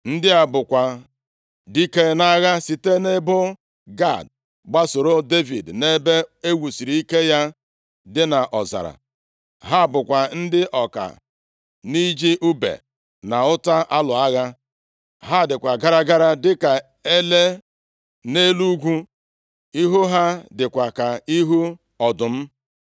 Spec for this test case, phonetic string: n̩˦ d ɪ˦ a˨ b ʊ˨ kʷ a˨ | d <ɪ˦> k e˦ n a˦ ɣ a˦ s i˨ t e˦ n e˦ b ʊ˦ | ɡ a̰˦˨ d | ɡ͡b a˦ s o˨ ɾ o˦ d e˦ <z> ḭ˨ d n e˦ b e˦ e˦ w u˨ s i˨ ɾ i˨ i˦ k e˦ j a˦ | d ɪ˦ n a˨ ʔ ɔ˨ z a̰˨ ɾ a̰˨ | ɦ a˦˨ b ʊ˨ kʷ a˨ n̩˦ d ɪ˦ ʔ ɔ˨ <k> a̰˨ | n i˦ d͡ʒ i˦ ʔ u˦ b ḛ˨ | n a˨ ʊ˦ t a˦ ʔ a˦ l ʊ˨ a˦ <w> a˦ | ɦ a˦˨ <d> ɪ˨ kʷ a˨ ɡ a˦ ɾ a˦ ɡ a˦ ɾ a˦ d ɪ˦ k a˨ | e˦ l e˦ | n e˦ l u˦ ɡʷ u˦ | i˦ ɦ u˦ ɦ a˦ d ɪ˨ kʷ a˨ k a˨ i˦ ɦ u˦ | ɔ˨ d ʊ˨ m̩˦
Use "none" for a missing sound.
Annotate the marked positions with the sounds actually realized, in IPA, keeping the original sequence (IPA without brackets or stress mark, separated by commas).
i˦, v, k, ɣ, d